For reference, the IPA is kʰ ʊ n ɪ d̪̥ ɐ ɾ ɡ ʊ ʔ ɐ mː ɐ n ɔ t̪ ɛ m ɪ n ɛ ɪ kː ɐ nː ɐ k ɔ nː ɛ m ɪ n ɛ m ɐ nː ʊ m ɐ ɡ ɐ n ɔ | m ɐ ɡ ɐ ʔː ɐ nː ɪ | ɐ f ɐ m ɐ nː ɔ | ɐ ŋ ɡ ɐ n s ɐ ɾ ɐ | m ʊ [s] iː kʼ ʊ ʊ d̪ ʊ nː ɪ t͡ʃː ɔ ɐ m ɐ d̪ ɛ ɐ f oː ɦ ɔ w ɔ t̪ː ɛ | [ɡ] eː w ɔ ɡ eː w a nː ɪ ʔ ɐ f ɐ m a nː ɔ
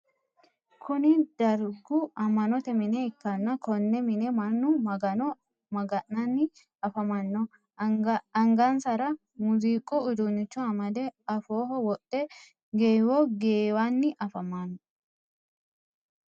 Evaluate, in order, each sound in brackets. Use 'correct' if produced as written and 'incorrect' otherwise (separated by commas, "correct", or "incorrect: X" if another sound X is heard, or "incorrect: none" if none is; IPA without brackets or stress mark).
incorrect: z, correct